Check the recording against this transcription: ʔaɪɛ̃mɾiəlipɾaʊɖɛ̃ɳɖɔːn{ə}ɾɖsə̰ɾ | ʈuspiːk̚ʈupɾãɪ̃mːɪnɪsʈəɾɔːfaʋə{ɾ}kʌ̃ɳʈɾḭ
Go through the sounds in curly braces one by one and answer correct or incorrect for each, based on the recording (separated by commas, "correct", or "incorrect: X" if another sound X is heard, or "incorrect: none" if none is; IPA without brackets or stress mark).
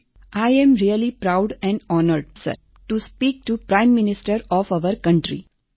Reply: correct, correct